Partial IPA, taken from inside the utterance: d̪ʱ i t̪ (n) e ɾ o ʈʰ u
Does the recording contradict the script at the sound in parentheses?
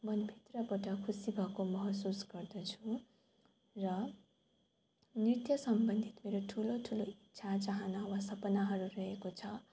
yes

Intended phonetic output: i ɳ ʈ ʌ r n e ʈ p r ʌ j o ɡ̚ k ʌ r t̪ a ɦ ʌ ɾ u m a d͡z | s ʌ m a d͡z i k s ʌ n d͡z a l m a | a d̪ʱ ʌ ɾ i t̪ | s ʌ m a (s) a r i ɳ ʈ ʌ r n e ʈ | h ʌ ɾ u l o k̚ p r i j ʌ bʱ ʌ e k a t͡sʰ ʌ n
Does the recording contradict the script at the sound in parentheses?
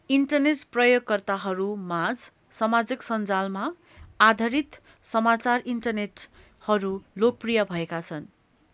yes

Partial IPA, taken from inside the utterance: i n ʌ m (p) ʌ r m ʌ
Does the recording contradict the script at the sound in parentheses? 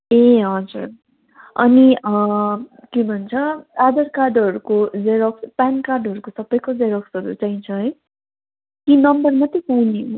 yes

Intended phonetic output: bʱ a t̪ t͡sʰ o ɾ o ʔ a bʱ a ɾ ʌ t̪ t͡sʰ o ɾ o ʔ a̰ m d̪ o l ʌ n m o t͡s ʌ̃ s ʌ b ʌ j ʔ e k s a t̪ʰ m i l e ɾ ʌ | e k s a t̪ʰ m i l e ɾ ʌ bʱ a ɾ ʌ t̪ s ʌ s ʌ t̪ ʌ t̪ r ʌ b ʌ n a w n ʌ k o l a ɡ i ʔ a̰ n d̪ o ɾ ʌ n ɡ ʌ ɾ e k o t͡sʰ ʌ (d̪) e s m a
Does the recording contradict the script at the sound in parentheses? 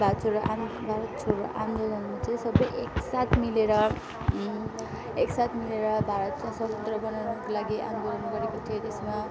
yes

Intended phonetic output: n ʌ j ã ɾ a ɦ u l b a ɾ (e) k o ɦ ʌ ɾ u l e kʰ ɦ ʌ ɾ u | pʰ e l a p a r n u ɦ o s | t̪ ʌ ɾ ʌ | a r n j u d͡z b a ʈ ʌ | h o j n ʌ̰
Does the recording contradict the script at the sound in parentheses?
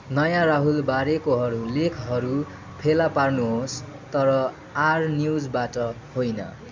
no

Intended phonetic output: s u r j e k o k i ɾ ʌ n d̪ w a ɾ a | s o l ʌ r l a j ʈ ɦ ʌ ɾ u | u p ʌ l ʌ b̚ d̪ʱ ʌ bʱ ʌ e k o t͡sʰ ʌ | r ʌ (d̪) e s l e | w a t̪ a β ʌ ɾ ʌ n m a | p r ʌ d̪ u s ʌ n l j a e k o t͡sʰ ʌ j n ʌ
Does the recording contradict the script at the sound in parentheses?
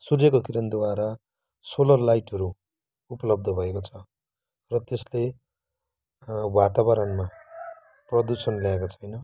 yes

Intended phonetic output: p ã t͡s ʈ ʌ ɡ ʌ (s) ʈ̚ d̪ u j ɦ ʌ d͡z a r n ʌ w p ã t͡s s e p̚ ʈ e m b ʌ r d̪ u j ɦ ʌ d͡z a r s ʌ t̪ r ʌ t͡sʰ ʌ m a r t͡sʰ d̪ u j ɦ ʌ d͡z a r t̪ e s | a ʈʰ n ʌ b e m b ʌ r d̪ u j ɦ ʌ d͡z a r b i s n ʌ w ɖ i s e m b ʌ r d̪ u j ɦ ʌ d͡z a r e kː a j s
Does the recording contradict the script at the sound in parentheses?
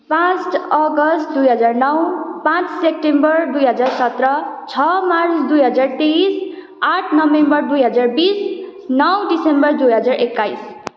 no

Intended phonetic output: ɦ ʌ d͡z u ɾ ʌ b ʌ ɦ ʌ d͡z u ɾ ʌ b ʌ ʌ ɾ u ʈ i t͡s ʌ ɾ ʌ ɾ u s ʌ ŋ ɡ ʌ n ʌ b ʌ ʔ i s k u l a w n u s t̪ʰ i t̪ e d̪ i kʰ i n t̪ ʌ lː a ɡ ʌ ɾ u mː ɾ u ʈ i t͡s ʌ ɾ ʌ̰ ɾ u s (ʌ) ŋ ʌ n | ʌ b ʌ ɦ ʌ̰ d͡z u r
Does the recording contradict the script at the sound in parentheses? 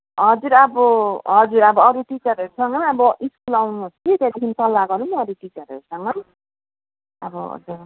no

